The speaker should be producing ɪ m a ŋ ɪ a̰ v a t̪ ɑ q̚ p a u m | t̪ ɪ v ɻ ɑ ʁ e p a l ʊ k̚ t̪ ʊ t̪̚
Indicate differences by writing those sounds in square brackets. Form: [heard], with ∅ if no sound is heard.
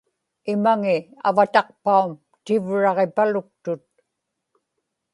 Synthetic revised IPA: ɪ m a ŋ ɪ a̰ v a t̪ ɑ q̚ p a u m | t̪ ɪ v ɻ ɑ ʁ e p a l ʊ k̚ t̪ ʊ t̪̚